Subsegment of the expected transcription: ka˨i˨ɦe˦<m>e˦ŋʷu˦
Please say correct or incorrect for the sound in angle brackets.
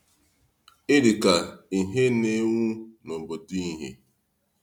incorrect